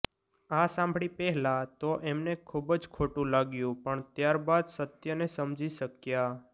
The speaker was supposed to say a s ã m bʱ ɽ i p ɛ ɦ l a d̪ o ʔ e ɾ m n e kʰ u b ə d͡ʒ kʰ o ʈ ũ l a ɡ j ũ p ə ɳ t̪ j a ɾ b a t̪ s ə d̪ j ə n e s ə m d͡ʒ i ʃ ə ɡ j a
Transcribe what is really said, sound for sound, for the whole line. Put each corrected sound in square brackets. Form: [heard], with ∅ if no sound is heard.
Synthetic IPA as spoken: a s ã m bʱ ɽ i p ɛ ɦ l a [t̪] o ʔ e [∅] m n e kʰ u b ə d͡ʒ kʰ o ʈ ũ l a ɡ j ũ p ə ɳ t̪ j a ɾ b a [d̪] s ə [t̪] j ə n e s ə m d͡ʒ i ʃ ə [k] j a